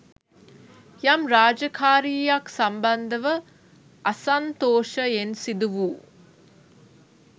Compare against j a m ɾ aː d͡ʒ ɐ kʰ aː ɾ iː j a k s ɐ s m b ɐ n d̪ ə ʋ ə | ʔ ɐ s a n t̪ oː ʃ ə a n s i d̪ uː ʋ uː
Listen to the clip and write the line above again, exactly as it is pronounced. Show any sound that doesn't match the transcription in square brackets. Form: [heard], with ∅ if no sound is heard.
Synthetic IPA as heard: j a m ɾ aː d͡ʒ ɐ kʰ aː ɾ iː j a k s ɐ [∅] m b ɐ n d̪ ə ʋ ə | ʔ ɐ s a n t̪ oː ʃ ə [e] n s i d̪ [u] ʋ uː